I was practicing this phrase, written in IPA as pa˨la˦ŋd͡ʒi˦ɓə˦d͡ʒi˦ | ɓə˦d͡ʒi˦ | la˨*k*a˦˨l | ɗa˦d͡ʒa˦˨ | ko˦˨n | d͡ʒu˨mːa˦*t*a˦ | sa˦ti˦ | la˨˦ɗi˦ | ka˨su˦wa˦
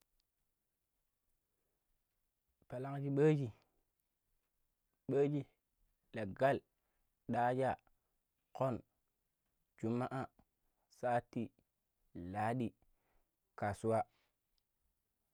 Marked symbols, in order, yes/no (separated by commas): no, no